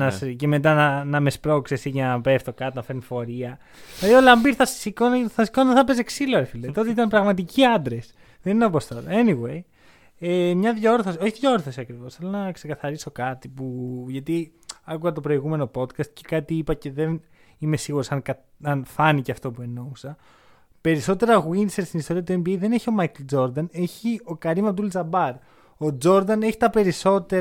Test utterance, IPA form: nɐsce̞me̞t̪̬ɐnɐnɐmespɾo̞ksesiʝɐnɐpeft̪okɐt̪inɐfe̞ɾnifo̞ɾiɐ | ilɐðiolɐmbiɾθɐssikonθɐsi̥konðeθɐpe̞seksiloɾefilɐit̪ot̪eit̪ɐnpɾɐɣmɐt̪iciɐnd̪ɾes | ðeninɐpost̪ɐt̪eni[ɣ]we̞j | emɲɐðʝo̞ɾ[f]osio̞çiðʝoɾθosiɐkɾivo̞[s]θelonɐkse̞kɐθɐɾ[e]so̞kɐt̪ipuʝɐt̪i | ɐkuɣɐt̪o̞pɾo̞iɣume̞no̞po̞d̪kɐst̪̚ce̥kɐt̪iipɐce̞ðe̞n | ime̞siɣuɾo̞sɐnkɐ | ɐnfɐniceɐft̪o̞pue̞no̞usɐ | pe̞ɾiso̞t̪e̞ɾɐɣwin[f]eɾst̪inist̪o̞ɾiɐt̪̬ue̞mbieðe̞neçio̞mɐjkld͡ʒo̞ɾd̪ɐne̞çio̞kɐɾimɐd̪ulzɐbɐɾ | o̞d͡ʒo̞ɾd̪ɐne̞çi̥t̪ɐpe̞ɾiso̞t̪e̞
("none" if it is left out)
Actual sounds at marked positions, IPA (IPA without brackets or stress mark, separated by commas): ɣ, θ, s, i, s